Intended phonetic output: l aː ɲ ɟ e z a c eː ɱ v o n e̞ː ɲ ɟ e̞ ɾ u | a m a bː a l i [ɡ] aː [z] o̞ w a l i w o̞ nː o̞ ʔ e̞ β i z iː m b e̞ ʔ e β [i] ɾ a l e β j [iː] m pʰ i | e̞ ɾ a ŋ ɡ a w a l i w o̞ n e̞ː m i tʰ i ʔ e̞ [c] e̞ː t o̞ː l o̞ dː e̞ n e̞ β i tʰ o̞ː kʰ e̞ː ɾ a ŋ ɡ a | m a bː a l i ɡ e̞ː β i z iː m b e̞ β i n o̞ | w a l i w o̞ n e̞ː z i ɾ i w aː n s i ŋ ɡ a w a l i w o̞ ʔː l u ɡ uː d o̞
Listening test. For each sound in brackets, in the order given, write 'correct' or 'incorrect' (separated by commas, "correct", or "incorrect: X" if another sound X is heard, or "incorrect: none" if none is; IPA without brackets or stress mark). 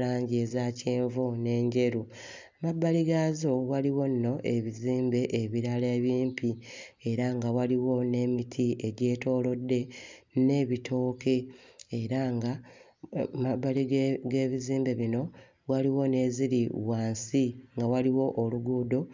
correct, correct, correct, correct, incorrect: ɟ